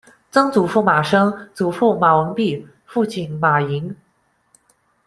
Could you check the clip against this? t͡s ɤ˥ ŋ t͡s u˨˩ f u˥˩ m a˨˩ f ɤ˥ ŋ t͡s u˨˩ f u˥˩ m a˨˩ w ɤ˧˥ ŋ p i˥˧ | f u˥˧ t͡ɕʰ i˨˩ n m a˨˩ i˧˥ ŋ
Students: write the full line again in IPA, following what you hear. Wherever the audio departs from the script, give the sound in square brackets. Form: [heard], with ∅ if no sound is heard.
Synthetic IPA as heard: t͡s ɤ˥ ŋ t͡s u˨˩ f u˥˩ m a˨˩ [ʂ] ɤ˥ ŋ t͡s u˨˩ f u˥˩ m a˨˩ w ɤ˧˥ ŋ p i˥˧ | f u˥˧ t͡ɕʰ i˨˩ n m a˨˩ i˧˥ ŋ

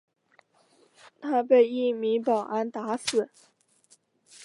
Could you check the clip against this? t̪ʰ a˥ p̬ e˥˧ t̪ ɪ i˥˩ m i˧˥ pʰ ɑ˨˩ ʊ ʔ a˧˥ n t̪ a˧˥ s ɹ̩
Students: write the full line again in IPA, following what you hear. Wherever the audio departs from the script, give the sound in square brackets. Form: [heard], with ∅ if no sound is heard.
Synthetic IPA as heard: t̪ʰ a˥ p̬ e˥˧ [∅] ɪ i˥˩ m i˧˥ [p] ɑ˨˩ ʊ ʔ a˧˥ n t̪ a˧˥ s ɹ̩

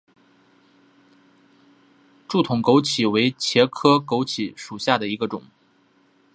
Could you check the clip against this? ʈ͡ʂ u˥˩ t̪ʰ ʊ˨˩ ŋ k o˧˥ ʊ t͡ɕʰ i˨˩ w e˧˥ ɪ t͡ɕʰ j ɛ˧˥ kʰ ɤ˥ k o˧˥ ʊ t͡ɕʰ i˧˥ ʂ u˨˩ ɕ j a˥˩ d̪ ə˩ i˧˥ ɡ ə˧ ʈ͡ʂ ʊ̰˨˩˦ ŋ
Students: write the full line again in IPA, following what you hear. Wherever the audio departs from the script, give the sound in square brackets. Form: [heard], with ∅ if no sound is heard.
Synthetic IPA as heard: ʈ͡ʂ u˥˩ t̪ʰ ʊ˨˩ ŋ k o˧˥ ʊ t͡ɕʰ i˨˩ w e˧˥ ɪ t͡ɕʰ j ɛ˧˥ kʰ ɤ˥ k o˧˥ ʊ t͡ɕʰ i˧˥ ʂ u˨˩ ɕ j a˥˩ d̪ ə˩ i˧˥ ɡ ə˧ ʈ͡ʂ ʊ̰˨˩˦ ŋ

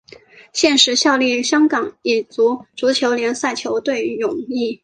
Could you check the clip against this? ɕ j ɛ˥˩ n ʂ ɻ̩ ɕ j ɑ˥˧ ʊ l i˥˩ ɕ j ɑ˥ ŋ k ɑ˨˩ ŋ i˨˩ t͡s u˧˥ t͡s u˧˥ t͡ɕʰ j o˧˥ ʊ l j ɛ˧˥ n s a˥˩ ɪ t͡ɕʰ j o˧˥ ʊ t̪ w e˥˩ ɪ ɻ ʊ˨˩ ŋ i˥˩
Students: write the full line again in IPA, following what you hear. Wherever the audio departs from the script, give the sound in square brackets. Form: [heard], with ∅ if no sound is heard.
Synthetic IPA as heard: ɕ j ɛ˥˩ n ʂ ɻ̩ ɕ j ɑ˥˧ ʊ l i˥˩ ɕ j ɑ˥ ŋ k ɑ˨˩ ŋ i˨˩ t͡s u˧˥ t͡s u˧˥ t͡ɕʰ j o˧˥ ʊ l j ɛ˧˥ n s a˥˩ ɪ t͡ɕʰ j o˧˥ ʊ t̪ w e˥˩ ɪ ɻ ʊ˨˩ ŋ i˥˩

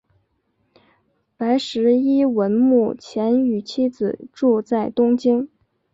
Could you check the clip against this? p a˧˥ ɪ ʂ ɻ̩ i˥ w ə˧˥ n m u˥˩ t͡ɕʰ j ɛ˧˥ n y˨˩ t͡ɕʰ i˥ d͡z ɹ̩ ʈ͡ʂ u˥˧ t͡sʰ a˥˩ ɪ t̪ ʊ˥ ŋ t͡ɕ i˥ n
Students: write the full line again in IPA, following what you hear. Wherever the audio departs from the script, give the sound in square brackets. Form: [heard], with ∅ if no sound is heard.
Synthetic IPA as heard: p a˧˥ ɪ ʂ ɻ̩ i˥ w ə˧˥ n m u˥˩ t͡ɕʰ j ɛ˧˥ n y˨˩ t͡ɕʰ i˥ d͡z ɹ̩ ʈ͡ʂ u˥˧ [t͡s] a˥˩ ɪ t̪ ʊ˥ ŋ t͡ɕ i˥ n

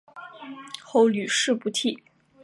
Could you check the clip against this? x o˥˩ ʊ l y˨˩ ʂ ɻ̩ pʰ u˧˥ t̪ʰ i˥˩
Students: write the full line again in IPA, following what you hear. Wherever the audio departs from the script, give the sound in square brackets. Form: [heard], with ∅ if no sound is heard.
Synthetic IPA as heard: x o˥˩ ʊ l y˨˩ ʂ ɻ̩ [p] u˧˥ t̪ʰ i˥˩

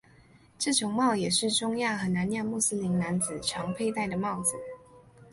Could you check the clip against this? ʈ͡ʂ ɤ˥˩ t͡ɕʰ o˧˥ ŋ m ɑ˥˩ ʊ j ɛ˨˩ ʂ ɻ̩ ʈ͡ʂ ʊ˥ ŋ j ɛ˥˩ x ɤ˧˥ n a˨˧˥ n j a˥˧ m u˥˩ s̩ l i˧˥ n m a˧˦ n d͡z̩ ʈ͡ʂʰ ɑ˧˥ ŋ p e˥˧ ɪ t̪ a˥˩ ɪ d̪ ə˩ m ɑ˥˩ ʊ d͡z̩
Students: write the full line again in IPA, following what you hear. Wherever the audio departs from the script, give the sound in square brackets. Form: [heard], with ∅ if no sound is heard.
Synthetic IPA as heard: ʈ͡ʂ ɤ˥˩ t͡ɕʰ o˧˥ ŋ m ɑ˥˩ ʊ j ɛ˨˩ ʂ ɻ̩ ʈ͡ʂ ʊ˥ ŋ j [a˥˩] x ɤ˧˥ n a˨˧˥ n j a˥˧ m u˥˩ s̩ l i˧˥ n [n] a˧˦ n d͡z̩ ʈ͡ʂʰ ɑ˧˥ ŋ [pʰ] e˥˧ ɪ t̪ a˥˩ ɪ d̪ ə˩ m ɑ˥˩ ʊ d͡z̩

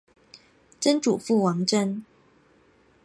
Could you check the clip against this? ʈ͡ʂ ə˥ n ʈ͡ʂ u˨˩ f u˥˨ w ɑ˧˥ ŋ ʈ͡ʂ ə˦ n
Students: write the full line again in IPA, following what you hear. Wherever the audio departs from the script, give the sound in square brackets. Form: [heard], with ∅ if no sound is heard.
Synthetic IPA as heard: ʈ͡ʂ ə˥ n ʈ͡ʂ u˨˩ f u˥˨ w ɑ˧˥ ŋ ʈ͡ʂ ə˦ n

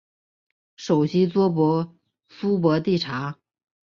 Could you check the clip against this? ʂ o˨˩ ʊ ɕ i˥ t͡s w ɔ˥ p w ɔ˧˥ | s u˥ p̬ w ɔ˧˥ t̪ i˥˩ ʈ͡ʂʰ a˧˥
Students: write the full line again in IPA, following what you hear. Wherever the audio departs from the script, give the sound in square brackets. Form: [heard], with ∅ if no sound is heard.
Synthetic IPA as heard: ʂ o˨˩ ʊ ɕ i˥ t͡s w ɔ˥ p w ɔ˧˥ | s u˥ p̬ w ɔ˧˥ t̪ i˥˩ ʈ͡ʂʰ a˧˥

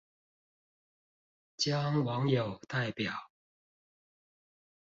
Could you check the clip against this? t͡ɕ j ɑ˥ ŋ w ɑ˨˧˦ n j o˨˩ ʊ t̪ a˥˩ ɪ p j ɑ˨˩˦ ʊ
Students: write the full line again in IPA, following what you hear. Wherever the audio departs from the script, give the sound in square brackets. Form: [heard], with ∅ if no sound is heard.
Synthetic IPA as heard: t͡ɕ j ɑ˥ ŋ w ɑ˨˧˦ [ŋ] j o˨˩ ʊ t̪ a˥˩ ɪ p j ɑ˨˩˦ ʊ

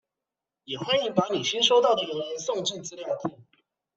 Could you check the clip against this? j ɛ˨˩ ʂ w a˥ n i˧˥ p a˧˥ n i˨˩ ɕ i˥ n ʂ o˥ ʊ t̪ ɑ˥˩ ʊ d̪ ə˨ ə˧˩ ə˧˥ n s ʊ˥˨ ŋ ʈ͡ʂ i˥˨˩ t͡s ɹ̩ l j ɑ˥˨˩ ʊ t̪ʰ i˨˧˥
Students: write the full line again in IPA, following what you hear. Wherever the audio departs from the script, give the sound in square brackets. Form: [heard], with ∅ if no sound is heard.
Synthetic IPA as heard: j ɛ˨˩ [x] w a˥ n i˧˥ p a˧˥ n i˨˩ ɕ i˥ n ʂ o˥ ʊ t̪ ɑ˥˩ ʊ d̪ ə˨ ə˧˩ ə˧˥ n s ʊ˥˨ ŋ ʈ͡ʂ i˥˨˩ t͡s ɹ̩ l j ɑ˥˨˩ ʊ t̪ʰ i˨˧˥

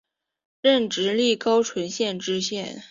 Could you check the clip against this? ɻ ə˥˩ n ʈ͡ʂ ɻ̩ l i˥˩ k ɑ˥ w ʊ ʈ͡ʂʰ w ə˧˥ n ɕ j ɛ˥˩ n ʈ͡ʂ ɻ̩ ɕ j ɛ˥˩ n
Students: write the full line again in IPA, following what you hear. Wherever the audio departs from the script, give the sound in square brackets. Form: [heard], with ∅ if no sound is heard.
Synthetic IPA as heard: ɻ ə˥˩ n ʈ͡ʂ ɻ̩ l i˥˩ k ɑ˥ [∅] ʊ ʈ͡ʂʰ w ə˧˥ n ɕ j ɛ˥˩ n ʈ͡ʂ ɻ̩ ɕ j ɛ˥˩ n

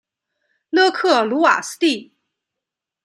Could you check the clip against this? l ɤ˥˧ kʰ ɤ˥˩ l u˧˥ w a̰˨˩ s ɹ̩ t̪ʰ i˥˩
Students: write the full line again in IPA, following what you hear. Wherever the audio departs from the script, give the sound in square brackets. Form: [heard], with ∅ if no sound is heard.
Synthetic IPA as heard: l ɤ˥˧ kʰ ɤ˥˩ l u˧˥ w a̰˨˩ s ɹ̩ [t̪] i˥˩

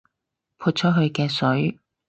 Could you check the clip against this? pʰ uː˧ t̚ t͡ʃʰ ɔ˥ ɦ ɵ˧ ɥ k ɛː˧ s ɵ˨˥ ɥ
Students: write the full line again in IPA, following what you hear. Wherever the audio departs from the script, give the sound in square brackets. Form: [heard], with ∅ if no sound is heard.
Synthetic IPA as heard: pʰ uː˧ t̚ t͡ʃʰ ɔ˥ ɦ ɵ˧ ɥ k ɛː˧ s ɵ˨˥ ɥ

